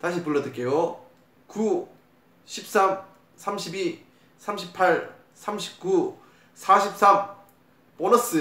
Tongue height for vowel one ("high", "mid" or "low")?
low